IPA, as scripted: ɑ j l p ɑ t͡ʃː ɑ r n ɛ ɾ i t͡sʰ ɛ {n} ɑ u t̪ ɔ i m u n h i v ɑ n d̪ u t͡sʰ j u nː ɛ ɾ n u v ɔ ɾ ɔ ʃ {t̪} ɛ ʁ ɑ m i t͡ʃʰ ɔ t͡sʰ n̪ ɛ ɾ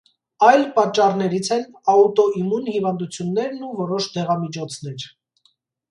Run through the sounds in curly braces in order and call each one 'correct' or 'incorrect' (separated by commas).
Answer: correct, incorrect